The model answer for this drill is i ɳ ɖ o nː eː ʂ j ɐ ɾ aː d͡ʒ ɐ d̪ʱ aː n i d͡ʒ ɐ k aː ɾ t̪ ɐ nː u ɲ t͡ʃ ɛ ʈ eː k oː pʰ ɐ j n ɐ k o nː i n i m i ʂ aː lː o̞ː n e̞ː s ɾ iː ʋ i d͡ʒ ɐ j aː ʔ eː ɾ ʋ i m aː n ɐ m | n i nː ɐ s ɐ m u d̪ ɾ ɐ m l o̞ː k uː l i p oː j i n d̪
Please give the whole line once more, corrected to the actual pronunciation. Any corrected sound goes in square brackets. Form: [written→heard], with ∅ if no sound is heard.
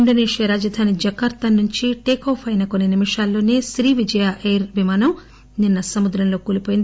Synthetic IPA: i ɳ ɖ o [nː→n] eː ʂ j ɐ ɾ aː d͡ʒ ɐ d̪ʱ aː n i d͡ʒ ɐ k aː ɾ t̪ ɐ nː u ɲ t͡ʃ [ɛ→i] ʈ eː k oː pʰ ɐ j n ɐ k o nː i n i m i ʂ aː lː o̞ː n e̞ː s ɾ iː ʋ i d͡ʒ ɐ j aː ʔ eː ɾ ʋ i m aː n ɐ m | n i nː ɐ s ɐ m u d̪ ɾ ɐ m l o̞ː k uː l i p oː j i n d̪

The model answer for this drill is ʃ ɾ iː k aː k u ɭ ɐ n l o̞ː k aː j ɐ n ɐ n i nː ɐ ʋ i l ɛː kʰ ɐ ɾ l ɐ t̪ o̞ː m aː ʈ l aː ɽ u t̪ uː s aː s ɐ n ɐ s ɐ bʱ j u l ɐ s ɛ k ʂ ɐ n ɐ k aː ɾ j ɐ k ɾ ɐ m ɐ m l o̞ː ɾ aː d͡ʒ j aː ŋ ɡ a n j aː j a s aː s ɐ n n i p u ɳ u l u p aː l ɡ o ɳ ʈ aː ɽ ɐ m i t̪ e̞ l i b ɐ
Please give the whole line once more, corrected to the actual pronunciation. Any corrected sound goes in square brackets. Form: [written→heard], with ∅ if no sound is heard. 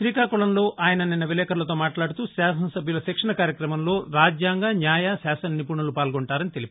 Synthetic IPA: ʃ ɾ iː k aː k u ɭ ɐ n l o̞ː [k→ʔ] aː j ɐ n ɐ n i nː ɐ ʋ i l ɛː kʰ ɐ ɾ l ɐ t̪ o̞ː m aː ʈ l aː ɽ u t̪ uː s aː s ɐ n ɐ s ɐ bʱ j u l ɐ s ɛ k ʂ ɐ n ɐ k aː ɾ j ɐ k ɾ ɐ m ɐ m l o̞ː ɾ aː d͡ʒ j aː ŋ ɡ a n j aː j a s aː s ɐ n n i p u ɳ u l u p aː l ɡ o ɳ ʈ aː [ɽ→ɾ] ɐ [m→n] i t̪ e̞ l i [b→p] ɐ

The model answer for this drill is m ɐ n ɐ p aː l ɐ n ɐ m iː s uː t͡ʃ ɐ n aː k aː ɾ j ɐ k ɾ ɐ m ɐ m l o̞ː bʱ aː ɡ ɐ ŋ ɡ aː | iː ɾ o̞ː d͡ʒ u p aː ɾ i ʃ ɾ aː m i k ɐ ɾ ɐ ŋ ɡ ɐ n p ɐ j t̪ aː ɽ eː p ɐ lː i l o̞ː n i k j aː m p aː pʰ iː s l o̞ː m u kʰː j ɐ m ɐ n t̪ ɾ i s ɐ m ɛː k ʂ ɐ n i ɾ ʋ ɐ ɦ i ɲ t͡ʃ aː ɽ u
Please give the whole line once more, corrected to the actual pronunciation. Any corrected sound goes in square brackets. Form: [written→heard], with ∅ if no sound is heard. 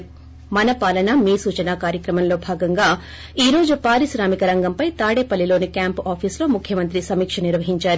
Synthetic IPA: m ɐ n ɐ p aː l ɐ n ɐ m iː s uː t͡ʃ ɐ n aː k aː ɾ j ɐ k ɾ ɐ m ɐ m l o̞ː bʱ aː ɡ ɐ ŋ ɡ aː | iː ɾ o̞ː d͡ʒ u p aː ɾ i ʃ ɾ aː m i k ɐ ɾ ɐ ŋ ɡ ɐ [n→m] p ɐ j t̪ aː ɽ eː p ɐ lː i l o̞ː n i k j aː m p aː pʰ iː s l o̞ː m u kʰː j ɐ m ɐ n t̪ ɾ i s ɐ m [ɛː→iː] k ʂ ɐ n i ɾ ʋ ɐ ɦ i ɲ t͡ʃ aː [ɽ→ɾ] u

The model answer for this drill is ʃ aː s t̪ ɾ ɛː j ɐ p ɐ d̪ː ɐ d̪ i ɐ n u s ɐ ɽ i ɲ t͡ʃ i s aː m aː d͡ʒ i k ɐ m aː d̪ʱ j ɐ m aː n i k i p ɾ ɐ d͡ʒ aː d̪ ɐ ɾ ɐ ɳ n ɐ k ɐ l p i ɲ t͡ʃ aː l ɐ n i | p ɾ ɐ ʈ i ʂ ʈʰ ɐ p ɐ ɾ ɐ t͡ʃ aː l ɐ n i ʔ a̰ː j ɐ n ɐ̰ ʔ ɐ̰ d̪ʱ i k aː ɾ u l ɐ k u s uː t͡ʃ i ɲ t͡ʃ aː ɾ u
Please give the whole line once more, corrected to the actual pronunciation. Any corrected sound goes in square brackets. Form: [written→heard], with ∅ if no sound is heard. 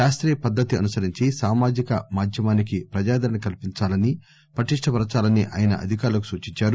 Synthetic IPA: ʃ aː s t̪ ɾ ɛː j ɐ p ɐ d̪ː ɐ [d̪→t̪] i ɐ n u s ɐ [ɽ→ɾ] i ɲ t͡ʃ i s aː m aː d͡ʒ i k ɐ m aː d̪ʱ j ɐ m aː n i k i p ɾ ɐ d͡ʒ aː d̪ ɐ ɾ ɐ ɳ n ɐ k ɐ l p i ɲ t͡ʃ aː l ɐ n i | p ɾ ɐ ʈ i ʂ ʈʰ ɐ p ɐ ɾ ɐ t͡ʃ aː l ɐ n i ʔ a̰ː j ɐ n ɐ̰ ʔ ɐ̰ d̪ʱ i k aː ɾ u l ɐ k u s uː t͡ʃ i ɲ t͡ʃ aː ɾ u

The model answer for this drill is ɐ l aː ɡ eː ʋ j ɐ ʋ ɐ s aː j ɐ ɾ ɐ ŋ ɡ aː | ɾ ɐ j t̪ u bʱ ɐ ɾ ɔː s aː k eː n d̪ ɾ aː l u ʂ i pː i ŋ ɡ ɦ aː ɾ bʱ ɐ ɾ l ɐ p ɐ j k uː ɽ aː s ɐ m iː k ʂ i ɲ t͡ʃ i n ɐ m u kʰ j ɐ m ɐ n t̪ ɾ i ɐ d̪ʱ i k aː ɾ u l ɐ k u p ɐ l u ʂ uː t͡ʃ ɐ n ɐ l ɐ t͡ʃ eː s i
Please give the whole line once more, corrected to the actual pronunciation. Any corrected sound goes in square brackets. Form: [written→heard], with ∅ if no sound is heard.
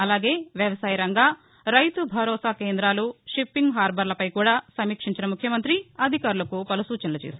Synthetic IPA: ɐ l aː ɡ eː ʋ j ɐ ʋ ɐ s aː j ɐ ɾ ɐ ŋ ɡ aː | ɾ ɐ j t̪ u bʱ ɐ ɾ ɔː s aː k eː n d̪ ɾ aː l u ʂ i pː i ŋ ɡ ɦ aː ɾ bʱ ɐ ɾ l ɐ p ɐ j k uː ɽ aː s ɐ m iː k ʂ i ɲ t͡ʃ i n ɐ m u kʰ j ɐ m ɐ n t̪ ɾ i ɐ d̪ʱ i k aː ɾ u l ɐ k u p ɐ l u [ʂ→s] uː t͡ʃ ɐ n ɐ l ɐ t͡ʃ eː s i

